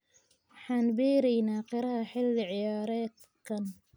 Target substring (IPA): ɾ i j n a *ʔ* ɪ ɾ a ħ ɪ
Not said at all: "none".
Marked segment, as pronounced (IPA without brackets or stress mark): q